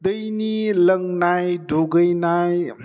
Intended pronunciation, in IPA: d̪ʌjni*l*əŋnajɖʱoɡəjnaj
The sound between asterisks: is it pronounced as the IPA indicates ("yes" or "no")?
yes